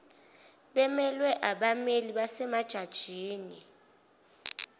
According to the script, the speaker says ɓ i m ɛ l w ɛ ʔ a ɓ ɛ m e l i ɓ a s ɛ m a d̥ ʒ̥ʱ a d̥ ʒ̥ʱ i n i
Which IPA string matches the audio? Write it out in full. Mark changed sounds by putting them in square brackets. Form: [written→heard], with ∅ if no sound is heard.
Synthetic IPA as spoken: ɓ [i→ɛ] m ɛ l w ɛ ʔ a ɓ [ɛ→a] m e l i ɓ a s ɛ m a d̥ ʒ̥ʱ a d̥ ʒ̥ʱ [i→iː] n i